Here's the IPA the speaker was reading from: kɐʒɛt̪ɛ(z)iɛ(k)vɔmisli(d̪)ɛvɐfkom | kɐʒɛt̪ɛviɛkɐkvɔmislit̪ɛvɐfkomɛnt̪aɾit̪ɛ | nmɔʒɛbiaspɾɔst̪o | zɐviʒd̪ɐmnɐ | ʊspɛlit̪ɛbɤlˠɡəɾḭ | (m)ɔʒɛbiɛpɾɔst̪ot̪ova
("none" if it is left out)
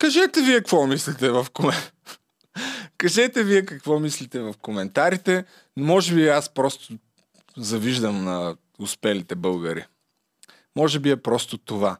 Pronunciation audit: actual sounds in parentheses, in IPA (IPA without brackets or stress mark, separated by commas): v, k, t̪, m